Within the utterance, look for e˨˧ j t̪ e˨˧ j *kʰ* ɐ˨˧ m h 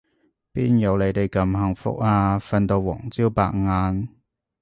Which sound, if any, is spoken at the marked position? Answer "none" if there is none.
k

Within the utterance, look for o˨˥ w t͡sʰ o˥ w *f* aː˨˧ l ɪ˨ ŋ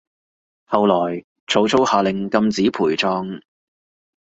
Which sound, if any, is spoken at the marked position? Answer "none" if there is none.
h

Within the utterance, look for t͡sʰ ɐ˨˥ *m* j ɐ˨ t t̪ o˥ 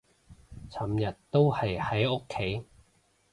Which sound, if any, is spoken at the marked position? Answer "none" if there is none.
m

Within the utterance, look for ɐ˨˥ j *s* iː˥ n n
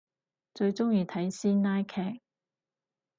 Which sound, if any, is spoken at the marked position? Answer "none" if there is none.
s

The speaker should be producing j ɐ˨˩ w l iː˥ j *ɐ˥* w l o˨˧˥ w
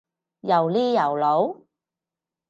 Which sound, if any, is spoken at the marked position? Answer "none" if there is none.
ɐ˨˩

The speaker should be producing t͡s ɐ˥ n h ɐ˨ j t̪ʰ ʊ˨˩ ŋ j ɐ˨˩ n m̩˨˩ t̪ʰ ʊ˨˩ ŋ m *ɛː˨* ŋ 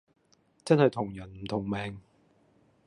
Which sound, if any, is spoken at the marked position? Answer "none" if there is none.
ɛː˨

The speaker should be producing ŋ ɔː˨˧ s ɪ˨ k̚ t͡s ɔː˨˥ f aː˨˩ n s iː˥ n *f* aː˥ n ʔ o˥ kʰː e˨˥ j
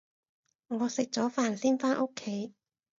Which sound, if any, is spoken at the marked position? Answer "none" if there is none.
f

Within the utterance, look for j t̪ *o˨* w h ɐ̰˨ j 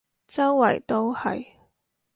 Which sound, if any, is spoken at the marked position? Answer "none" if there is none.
o˥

